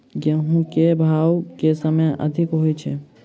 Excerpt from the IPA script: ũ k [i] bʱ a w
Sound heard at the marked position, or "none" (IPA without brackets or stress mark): e